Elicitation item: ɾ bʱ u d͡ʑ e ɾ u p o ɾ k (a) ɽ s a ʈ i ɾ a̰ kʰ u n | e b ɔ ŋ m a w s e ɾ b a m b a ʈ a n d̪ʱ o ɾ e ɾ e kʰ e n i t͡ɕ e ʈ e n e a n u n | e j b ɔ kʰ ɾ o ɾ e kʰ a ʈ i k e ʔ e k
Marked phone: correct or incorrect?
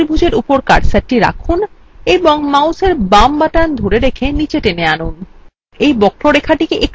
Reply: correct